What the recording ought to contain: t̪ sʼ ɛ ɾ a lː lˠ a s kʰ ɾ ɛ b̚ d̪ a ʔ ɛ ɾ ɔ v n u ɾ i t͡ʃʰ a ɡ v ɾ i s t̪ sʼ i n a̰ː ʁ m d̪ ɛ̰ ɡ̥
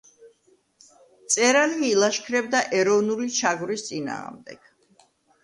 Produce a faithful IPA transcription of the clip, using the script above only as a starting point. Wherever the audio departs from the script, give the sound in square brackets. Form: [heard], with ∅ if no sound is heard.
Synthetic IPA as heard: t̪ sʼ ɛ ɾ a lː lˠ a [ʃ] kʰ ɾ ɛ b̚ d̪ a ʔ ɛ ɾ ɔ v n u [l] i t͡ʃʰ a ɡ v ɾ i s t̪ sʼ i n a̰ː ʁ m d̪ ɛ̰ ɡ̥